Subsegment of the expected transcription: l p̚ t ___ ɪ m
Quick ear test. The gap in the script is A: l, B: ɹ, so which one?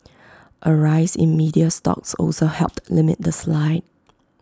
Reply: A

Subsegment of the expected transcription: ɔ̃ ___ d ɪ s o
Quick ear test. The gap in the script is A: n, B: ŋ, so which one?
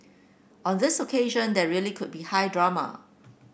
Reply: A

